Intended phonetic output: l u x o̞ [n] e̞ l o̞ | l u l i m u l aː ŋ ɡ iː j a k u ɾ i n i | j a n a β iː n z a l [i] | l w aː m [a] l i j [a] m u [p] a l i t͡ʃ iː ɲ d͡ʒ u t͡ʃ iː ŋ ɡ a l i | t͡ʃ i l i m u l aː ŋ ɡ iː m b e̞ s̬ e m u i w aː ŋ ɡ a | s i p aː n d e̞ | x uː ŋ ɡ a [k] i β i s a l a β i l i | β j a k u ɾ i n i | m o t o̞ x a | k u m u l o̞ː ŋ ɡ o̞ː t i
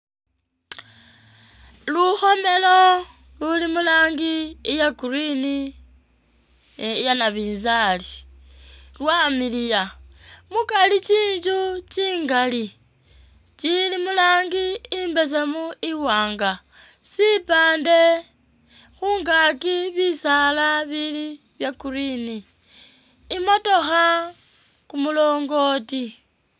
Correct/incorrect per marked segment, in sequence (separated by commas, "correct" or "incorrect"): incorrect, correct, incorrect, correct, incorrect, correct